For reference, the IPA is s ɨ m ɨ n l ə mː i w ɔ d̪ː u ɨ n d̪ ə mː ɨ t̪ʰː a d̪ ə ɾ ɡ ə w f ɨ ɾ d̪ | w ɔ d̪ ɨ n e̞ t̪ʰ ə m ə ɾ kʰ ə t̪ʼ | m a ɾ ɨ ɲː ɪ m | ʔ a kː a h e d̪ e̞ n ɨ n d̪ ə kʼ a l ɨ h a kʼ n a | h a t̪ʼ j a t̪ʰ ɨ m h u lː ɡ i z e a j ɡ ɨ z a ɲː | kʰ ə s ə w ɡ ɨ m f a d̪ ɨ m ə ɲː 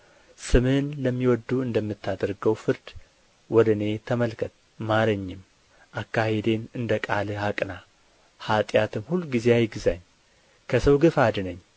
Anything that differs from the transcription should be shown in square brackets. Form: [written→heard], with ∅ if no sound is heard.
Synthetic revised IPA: s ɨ m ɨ n l ə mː i w ɔ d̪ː u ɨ n d̪ ə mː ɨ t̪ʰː a d̪ ə ɾ ɡ ə w f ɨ ɾ d̪ | w ɔ d̪ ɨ n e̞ t̪ʰ ə m ə [ɾ→l] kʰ ə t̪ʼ | m a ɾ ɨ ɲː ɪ m | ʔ a kː a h e d̪ e̞ n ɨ n d̪ ə kʼ a l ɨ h a kʼ n a | h a t̪ʼ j a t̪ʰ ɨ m h u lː ɡ i z e a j ɡ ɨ z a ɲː | kʰ ə s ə w ɡ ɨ [m→∅] f a d̪ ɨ [m→n] ə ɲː